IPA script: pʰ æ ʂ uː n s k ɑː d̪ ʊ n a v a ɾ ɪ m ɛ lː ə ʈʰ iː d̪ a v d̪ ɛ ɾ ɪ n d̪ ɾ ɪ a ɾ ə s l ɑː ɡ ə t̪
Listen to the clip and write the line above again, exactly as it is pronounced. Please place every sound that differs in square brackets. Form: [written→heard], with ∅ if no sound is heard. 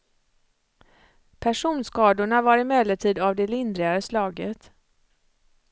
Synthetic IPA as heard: pʰ æ ʂ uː n s k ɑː d̪ ʊ [n→ɳ] a v a ɾ ɪ m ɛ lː ə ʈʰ iː d̪ a v d̪ ɛ [ɾ→l] ɪ n d̪ ɾ ɪ a ɾ ə s l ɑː ɡ ə t̪